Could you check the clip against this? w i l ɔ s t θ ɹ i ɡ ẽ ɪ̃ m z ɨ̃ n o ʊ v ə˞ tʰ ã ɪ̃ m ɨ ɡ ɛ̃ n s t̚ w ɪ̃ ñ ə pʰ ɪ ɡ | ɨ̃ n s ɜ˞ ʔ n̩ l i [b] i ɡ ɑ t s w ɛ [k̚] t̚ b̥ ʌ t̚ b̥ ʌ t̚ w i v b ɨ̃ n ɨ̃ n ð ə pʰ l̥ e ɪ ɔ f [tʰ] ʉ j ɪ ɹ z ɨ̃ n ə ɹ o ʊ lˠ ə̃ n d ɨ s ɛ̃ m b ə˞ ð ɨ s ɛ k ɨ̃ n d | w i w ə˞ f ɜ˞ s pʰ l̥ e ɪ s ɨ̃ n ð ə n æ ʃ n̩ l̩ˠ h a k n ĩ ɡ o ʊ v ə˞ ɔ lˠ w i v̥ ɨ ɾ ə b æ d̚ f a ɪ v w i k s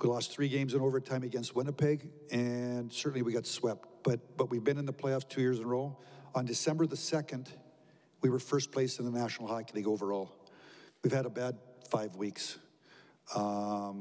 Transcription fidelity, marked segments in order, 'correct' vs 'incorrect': incorrect: w, incorrect: p̚, correct

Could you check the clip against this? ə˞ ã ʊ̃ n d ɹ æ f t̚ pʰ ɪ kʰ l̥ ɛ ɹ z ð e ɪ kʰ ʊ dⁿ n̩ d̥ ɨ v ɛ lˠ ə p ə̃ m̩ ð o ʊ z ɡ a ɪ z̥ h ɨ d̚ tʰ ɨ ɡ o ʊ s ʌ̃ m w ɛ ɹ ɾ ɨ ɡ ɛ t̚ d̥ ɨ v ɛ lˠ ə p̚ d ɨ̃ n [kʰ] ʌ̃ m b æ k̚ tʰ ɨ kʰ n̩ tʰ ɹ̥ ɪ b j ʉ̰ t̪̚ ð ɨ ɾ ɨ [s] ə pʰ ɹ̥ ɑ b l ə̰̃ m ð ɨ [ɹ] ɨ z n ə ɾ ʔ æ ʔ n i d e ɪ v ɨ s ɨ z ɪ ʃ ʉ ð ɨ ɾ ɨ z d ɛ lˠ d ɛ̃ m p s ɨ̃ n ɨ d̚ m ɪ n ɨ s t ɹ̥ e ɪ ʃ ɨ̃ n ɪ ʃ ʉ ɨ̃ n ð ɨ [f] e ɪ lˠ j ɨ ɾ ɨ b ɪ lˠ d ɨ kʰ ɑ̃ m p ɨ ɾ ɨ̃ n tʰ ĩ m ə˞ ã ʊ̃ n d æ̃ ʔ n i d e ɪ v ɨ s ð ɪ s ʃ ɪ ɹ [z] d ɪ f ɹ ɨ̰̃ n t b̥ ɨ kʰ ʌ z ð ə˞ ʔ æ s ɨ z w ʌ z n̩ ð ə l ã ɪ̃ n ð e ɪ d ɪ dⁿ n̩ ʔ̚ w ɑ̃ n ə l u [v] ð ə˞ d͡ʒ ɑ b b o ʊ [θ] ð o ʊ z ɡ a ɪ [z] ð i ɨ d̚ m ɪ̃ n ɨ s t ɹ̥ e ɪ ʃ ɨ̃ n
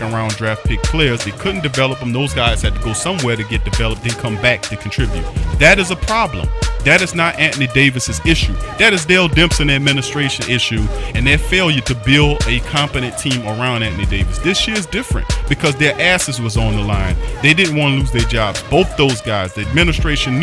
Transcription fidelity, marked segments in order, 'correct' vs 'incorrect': correct, incorrect: z, incorrect: ɾ, correct, correct, incorrect: z, correct, correct

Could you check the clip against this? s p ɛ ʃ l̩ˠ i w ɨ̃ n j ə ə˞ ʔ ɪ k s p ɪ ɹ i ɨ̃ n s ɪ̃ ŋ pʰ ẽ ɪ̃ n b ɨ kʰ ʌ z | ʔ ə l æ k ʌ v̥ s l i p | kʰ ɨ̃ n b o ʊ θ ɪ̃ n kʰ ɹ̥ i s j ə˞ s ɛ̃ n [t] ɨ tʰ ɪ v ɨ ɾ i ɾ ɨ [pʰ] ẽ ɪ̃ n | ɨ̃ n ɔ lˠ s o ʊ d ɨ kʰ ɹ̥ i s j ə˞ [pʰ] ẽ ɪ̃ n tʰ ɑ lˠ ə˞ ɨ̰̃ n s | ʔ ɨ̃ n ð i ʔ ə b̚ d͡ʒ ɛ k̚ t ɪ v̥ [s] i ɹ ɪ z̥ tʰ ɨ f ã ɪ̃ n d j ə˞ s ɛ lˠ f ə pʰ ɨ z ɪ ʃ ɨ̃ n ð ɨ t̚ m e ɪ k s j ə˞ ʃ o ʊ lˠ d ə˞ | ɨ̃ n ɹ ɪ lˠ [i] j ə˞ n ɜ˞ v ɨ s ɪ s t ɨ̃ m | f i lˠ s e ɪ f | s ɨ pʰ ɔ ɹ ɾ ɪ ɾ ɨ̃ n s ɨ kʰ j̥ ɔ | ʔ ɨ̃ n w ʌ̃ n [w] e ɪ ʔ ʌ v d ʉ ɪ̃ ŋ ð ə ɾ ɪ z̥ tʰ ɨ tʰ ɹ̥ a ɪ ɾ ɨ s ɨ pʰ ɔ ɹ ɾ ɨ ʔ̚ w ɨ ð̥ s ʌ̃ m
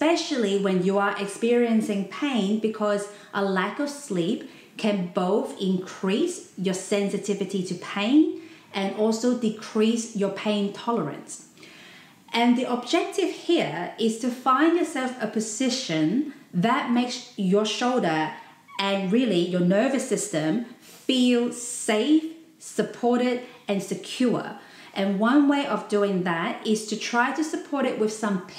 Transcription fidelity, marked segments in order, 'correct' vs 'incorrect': incorrect: s, correct, correct, incorrect: h, correct, correct

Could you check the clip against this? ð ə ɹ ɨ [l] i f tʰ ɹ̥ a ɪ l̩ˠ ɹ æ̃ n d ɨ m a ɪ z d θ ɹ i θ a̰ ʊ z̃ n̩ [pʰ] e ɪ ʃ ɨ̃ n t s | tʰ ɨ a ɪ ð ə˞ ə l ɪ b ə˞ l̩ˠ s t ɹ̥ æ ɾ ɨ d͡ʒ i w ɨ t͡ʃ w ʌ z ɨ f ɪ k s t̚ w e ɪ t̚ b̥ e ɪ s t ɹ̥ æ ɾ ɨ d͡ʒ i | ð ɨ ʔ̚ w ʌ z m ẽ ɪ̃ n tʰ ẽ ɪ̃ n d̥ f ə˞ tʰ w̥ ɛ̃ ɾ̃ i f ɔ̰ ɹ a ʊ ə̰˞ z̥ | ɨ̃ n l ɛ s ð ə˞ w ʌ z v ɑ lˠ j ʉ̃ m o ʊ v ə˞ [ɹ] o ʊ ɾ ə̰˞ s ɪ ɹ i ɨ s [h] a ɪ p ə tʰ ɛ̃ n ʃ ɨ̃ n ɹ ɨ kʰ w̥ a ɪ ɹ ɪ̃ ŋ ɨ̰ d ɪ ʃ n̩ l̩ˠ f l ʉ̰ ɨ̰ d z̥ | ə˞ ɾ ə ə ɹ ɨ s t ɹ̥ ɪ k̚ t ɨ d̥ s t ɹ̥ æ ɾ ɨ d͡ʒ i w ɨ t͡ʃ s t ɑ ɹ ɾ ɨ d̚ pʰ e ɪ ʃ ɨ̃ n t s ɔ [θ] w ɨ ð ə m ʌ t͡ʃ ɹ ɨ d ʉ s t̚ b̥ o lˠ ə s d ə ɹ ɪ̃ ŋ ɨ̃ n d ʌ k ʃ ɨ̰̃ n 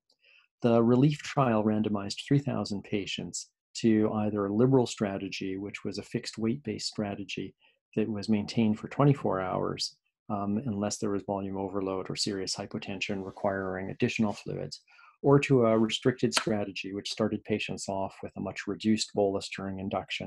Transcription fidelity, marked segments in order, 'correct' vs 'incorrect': correct, correct, incorrect: l, correct, incorrect: f

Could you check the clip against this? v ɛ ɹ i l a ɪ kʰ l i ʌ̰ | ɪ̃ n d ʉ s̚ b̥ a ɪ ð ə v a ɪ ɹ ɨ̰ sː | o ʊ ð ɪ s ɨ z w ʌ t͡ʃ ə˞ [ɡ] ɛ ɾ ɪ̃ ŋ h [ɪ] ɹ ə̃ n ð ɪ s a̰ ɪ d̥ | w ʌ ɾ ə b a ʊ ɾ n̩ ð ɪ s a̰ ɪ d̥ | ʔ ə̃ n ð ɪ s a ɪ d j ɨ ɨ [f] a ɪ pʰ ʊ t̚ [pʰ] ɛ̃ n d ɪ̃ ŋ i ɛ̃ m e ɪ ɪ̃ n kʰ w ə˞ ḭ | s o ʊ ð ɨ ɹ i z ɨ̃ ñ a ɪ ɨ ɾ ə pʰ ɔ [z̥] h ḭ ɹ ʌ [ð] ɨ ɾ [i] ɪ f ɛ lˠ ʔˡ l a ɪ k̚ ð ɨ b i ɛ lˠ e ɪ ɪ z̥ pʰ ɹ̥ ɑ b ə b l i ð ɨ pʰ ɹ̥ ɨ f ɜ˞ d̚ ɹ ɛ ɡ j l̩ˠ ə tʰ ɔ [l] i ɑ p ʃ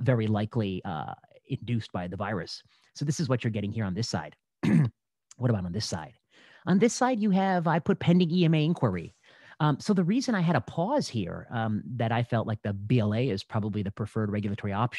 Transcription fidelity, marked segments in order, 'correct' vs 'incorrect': correct, incorrect: i, incorrect: v, correct, correct, correct, incorrect: a, incorrect: ɹ

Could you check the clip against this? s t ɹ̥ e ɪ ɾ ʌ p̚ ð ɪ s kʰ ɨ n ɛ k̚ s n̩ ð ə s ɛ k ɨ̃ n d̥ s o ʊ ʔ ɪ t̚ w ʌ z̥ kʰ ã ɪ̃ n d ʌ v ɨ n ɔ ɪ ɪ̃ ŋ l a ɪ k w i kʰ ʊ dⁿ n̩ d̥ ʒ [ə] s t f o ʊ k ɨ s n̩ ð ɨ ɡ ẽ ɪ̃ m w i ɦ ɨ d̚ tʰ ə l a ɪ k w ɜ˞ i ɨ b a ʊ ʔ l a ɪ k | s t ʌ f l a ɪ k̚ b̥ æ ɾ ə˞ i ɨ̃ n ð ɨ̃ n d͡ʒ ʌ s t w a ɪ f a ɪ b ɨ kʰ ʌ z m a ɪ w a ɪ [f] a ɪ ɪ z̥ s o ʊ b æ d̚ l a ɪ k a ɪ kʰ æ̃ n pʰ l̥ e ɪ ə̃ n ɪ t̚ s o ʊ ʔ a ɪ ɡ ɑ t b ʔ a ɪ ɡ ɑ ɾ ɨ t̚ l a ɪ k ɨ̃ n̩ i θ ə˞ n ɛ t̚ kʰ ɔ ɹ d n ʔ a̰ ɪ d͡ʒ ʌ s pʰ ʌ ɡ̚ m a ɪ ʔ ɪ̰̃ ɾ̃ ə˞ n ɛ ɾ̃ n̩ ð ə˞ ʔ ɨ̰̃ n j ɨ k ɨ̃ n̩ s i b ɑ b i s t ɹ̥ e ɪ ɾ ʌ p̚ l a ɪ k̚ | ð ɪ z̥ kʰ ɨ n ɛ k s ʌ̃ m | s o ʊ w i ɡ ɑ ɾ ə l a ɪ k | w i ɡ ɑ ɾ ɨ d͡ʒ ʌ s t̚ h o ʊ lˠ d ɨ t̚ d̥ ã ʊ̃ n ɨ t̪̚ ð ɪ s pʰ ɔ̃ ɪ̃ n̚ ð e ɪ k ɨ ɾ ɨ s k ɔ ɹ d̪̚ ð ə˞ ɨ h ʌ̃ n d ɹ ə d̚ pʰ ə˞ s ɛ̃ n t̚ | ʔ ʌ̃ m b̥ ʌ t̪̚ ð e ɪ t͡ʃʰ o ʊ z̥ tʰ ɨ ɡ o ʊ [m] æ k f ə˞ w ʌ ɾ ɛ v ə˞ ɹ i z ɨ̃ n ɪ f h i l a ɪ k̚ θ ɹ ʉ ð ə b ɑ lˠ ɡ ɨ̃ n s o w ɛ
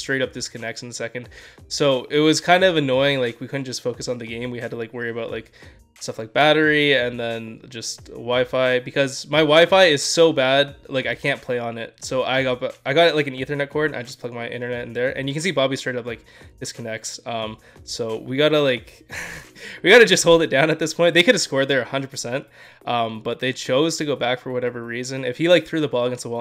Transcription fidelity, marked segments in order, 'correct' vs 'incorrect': incorrect: ʌ, correct, incorrect: b

